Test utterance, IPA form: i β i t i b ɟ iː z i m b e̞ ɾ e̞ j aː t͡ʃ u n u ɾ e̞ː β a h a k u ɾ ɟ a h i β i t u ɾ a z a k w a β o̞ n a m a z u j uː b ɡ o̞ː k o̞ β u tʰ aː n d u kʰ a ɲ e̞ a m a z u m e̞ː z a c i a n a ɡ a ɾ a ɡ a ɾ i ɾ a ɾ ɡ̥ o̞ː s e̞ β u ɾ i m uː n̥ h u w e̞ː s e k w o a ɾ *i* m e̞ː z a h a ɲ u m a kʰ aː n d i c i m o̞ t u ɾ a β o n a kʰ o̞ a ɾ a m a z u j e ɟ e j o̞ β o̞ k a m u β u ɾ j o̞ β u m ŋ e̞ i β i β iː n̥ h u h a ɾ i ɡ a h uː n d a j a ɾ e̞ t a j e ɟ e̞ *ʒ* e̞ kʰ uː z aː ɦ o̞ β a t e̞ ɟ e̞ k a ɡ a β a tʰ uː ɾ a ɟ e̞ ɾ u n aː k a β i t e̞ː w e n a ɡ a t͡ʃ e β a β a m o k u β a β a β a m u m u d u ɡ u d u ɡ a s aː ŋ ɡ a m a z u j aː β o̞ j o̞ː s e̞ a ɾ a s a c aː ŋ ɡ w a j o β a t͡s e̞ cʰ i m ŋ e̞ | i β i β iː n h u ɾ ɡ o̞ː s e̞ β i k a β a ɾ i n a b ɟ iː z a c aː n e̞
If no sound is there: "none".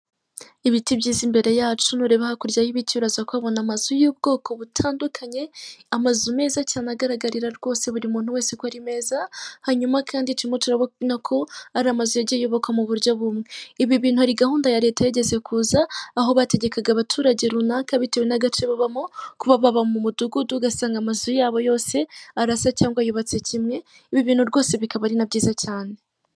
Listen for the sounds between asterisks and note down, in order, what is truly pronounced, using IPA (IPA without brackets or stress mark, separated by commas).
i, z